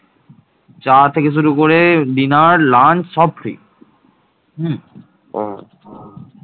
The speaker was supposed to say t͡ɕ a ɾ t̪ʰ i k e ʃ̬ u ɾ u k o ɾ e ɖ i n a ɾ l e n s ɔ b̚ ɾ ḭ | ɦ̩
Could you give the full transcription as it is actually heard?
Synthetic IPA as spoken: t͡ɕ a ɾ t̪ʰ e k e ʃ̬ u ɾ u k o ɾ e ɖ i n a ɾ l a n s ɔ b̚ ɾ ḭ | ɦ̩